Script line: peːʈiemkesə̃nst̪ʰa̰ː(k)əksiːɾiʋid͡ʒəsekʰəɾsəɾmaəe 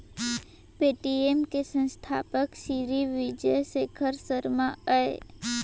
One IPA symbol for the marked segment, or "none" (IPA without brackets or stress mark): p